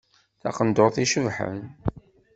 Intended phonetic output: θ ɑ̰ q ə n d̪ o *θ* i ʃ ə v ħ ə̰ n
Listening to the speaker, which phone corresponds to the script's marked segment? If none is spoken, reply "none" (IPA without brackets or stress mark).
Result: θ